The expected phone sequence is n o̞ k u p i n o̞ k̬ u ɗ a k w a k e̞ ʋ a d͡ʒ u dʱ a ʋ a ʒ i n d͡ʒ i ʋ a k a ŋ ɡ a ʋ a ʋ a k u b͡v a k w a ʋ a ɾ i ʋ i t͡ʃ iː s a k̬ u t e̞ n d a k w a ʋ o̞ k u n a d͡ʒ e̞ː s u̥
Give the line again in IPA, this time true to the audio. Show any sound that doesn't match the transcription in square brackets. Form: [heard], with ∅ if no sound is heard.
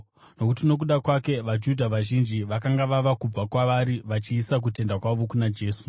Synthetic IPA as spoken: n o̞ k u [t] i n o̞ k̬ u ɗ a k w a k e̞ ʋ a d͡ʒ u dʱ a ʋ a ʒ i n d͡ʒ i ʋ a k a ŋ ɡ a ʋ a ʋ a k u b͡v a k w a ʋ a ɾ i ʋ [a] t͡ʃ iː s a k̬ u t e̞ n d a k w a ʋ o̞ k u n a d͡ʒ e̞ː s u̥